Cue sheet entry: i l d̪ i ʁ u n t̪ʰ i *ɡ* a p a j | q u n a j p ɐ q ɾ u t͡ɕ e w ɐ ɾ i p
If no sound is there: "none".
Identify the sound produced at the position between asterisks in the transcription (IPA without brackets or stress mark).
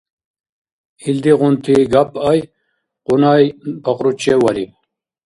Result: ɡ